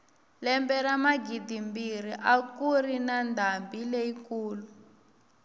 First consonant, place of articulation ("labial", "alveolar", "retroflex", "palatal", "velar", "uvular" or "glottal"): alveolar